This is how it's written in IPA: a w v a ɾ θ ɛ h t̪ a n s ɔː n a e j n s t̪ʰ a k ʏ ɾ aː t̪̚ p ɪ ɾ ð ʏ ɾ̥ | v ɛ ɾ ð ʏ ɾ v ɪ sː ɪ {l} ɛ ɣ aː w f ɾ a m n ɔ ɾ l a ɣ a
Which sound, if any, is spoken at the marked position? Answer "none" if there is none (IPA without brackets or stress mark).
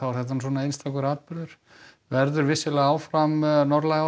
l